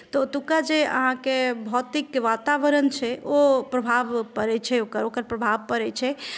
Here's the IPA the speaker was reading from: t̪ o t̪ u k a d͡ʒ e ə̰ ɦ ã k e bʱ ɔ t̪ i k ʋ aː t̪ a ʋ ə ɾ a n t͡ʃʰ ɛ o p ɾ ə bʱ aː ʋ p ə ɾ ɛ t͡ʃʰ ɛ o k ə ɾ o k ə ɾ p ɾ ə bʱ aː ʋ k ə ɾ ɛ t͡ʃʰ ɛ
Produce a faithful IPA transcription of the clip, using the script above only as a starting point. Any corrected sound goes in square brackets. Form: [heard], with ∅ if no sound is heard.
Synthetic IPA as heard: t̪ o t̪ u k a d͡ʒ e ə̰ ɦ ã k e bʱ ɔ t̪ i k ʋ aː t̪ a ʋ ə ɾ [ə] n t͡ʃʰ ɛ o p ɾ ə bʱ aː ʋ p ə ɾ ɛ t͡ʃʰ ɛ o k ə ɾ o k ə ɾ p ɾ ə bʱ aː ʋ [p] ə ɾ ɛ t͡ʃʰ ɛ